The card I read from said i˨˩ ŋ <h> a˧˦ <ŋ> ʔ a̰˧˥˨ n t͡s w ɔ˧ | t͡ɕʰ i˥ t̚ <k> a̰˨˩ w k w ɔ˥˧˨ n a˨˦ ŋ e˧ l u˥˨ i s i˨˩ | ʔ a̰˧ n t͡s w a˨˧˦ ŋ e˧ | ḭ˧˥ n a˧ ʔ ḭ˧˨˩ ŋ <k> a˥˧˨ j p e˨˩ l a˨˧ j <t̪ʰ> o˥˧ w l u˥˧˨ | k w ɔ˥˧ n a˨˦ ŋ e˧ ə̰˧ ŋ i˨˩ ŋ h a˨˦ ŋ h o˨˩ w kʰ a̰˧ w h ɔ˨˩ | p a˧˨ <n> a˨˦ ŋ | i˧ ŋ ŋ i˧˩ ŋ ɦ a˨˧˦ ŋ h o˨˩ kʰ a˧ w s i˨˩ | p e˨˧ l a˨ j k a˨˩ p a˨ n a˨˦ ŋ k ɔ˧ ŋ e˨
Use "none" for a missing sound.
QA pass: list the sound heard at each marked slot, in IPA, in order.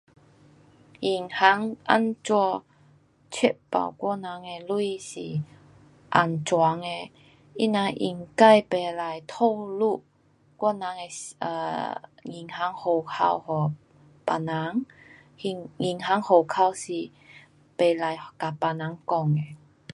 h, ŋ, p, k, t̪ʰ, n

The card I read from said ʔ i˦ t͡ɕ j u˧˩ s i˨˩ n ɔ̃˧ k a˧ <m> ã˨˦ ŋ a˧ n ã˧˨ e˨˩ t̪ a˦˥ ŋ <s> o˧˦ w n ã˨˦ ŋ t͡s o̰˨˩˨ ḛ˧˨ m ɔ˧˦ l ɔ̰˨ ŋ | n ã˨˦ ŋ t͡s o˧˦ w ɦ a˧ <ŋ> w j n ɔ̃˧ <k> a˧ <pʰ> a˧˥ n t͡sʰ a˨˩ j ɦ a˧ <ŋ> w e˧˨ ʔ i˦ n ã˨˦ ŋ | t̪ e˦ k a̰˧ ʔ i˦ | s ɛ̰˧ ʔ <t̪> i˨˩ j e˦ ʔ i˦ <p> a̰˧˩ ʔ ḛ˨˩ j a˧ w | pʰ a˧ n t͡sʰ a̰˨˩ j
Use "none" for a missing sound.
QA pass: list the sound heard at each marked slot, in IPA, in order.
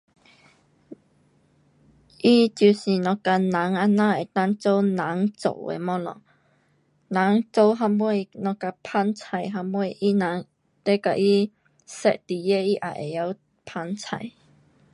n, t͡s, m, k, pʰ, m, t̪, ʔ

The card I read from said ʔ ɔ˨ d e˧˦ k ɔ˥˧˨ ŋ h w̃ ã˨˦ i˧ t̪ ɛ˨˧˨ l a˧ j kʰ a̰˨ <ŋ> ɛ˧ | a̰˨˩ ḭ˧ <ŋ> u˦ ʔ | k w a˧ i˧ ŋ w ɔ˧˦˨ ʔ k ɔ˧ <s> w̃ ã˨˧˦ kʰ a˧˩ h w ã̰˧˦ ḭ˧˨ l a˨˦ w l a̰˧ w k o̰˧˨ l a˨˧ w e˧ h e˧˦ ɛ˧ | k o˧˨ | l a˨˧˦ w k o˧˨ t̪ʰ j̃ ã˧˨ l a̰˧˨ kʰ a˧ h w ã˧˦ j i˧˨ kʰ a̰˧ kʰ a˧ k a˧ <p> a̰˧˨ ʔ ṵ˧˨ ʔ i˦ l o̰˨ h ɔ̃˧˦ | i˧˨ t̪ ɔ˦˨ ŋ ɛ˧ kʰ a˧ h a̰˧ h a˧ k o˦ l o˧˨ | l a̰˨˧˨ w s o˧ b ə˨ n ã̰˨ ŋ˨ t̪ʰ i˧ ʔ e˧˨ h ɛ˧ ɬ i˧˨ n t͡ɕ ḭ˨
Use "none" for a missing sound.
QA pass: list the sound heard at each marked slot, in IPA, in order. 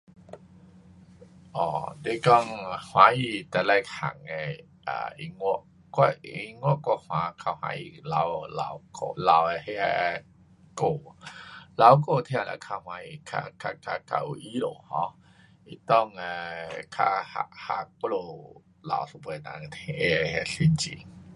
ŋ, ŋ, h, k

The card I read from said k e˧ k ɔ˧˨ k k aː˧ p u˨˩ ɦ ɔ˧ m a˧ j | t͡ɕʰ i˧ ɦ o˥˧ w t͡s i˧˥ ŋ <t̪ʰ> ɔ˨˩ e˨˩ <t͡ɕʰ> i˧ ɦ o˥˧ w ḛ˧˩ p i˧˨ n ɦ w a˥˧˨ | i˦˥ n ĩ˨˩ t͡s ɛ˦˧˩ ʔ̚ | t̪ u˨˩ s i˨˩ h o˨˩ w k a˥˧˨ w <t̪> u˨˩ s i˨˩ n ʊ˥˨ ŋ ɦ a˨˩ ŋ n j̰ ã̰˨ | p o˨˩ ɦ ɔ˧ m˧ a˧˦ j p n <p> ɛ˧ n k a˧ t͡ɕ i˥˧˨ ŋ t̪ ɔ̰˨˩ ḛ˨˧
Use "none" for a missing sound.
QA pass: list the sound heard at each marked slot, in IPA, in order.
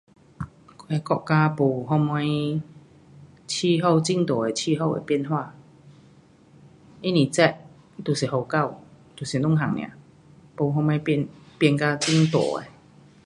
t̪, t͡ɕʰ, t̪, p

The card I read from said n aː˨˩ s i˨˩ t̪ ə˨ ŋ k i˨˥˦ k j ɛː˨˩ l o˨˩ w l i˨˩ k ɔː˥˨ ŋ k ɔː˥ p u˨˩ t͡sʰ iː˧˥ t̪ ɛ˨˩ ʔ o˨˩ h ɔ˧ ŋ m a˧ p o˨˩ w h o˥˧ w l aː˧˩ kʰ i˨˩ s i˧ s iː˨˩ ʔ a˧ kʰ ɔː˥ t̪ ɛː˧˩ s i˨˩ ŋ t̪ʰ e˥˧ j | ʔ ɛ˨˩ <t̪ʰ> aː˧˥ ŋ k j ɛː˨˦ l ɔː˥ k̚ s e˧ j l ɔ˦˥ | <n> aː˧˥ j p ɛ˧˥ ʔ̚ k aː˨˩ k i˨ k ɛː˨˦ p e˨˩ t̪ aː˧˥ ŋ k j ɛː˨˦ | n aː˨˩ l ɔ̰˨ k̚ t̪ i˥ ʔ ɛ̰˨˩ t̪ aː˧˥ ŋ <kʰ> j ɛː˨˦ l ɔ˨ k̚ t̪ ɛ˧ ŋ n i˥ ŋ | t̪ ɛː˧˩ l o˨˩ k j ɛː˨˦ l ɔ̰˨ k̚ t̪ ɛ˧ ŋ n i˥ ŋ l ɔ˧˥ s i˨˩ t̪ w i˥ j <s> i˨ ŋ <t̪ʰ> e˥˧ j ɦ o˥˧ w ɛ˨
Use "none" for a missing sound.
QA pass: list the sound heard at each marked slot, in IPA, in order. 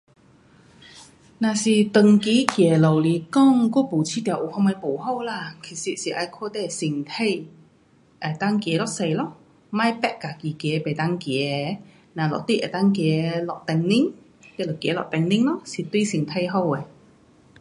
t̪, m, k, s, t̪ʰ

